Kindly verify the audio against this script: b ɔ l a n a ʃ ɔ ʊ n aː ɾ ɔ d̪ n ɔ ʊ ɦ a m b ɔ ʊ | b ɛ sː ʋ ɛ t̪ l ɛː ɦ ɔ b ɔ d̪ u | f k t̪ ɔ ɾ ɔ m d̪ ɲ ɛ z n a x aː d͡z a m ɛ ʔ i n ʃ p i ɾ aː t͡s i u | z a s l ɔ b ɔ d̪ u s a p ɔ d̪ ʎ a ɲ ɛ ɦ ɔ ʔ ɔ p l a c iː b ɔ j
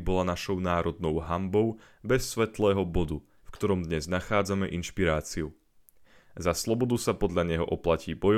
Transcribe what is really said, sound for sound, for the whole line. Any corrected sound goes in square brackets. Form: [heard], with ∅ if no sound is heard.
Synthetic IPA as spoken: b ɔ l a n a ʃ ɔ ʊ n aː ɾ ɔ d̪ n ɔ ʊ ɦ a m b ɔ ʊ | b ɛ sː ʋ ɛ t̪ l ɛː ɦ ɔ b ɔ d̪ u | f k t̪ ɔ ɾ ɔ m d̪ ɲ ɛ z n a x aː d͡z a m ɛ ʔ i n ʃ p i ɾ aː t͡s i u | z a s l ɔ b ɔ d̪ u s a p ɔ d̪ ʎ a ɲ ɛ ɦ ɔ ʔ ɔ p l a c iː b ɔ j